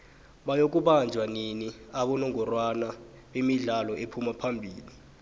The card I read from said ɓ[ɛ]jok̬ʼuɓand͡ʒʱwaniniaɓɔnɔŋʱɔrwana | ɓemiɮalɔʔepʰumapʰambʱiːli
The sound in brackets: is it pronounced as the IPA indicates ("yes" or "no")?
no